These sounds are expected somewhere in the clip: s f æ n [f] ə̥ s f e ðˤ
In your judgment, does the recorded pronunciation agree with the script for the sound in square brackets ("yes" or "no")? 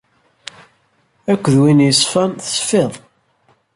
no